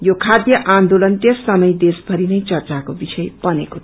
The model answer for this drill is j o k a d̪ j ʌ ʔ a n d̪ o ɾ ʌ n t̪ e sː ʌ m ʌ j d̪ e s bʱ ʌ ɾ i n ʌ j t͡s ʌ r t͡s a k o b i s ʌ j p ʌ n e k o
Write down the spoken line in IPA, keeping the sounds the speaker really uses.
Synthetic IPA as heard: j o kʰ a d̪ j ʌ ʔ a n d̪ o l ʌ n t̪ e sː ʌ m ʌ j d̪ e s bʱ ʌ ɾ i n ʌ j t͡s ʌ r t͡s a k o b i s ʌ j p ʌ n e k o